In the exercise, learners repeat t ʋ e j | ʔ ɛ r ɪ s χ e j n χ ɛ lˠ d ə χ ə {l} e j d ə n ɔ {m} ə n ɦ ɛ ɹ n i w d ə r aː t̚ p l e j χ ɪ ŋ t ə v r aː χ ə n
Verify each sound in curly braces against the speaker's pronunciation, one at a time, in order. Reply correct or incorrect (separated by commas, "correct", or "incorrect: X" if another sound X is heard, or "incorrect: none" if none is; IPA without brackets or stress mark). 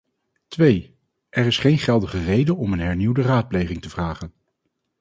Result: incorrect: r, correct